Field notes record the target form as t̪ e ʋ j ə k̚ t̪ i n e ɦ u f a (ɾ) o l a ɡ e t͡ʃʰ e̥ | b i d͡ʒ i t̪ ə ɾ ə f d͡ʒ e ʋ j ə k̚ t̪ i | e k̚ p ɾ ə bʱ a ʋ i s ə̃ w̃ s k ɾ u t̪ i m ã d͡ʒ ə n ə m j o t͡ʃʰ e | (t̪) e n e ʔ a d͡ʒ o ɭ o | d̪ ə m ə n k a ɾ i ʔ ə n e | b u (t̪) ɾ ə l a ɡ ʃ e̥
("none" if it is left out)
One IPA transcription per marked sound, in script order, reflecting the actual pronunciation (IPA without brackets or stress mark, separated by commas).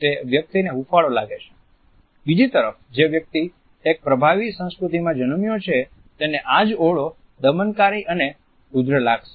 ɭ, t̪, d̪